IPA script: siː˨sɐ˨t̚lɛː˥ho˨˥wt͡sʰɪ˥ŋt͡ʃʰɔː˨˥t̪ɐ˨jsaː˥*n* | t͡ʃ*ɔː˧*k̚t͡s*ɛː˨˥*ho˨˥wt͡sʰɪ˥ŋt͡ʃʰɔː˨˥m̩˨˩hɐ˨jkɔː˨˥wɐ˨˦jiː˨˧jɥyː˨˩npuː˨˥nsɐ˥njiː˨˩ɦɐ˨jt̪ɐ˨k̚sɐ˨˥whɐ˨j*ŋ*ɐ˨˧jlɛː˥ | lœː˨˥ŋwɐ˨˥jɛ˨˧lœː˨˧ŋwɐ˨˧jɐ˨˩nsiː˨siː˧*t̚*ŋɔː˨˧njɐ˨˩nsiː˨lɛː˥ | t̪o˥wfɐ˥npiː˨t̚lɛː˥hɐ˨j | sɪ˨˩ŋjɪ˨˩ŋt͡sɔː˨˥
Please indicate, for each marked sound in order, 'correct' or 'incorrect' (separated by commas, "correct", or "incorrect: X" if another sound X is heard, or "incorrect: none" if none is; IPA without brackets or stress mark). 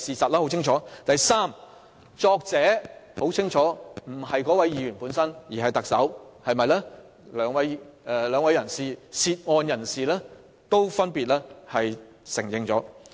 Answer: incorrect: m, correct, correct, incorrect: m, correct